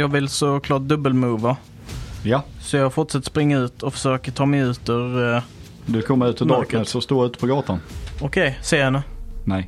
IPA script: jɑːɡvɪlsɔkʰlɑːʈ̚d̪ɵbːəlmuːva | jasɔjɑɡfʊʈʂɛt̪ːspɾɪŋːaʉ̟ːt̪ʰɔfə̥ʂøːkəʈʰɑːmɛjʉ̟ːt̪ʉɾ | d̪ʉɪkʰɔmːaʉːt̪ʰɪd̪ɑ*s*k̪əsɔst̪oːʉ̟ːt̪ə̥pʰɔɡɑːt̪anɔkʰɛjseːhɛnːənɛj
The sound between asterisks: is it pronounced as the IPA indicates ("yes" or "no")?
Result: no